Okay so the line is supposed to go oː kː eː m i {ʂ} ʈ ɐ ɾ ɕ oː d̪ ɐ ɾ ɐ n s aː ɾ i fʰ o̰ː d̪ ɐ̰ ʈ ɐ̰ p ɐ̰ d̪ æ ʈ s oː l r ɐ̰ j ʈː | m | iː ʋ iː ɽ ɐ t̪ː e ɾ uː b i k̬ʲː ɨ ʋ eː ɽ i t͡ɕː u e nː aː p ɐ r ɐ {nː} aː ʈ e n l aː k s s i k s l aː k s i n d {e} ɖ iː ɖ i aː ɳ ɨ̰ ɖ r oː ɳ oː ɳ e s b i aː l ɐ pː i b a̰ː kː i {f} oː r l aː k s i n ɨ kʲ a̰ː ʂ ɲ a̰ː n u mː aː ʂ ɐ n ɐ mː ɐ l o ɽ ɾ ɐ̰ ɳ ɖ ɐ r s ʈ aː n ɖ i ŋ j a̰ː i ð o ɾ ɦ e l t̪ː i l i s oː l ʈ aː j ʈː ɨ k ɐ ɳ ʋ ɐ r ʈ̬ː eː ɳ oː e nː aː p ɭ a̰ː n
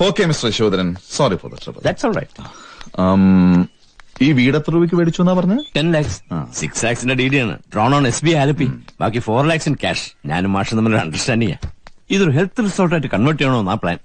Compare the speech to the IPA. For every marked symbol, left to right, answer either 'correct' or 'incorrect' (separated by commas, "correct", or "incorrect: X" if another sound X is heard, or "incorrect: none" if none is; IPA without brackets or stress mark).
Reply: incorrect: s, incorrect: ɲː, correct, correct